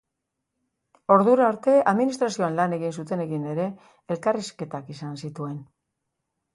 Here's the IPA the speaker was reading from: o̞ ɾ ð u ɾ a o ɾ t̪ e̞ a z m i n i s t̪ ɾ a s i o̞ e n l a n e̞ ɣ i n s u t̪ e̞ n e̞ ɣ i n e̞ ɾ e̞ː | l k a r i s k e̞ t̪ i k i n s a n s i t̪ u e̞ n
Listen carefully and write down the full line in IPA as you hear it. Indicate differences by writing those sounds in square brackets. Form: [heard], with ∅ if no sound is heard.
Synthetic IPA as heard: o̞ ɾ ð u ɾ a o ɾ t̪ e̞ a [ð] m i n i s t̪ ɾ a s i o̞ [a] n l a n e̞ ɣ i n s u t̪ e̞ n e̞ ɣ i n e̞ ɾ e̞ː | l k a r i s k e̞ t̪ [a] k i [∅] s a n s i t̪ u e̞ n